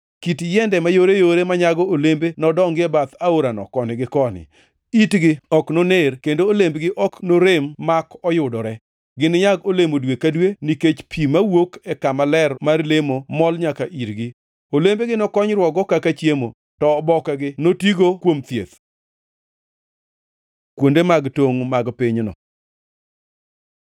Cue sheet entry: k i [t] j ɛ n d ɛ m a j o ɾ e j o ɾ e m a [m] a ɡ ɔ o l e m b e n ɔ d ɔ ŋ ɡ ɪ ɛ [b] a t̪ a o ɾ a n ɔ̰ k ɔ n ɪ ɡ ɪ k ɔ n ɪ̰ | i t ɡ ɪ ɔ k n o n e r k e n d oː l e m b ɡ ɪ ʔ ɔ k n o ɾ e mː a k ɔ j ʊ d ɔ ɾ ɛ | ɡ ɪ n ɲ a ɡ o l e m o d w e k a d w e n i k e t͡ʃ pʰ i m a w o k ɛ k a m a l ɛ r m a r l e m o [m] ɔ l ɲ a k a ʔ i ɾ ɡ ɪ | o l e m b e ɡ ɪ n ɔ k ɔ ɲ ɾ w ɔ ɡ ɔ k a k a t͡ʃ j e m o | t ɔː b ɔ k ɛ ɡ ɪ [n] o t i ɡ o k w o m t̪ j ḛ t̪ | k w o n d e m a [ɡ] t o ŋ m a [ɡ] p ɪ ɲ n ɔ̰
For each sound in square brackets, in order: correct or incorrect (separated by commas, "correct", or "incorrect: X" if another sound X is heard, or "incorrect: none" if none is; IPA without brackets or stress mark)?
correct, incorrect: ɲ, correct, correct, correct, correct, correct